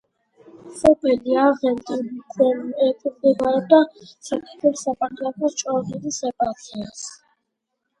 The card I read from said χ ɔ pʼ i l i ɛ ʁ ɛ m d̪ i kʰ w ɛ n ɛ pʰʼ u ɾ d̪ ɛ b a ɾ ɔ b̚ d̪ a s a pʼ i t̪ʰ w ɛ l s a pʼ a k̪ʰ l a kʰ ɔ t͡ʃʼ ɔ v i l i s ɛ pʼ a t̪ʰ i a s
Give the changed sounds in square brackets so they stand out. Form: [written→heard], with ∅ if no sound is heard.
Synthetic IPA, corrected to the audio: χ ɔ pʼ i l i [ɛ→a] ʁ ɛ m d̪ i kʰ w ɛ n ɛ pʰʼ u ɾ d̪ ɛ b a ɾ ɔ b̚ d̪ a s a [pʼ→kʼ] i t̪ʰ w ɛ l s a pʼ a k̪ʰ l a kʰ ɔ t͡ʃʼ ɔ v i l i s ɛ pʼ a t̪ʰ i a s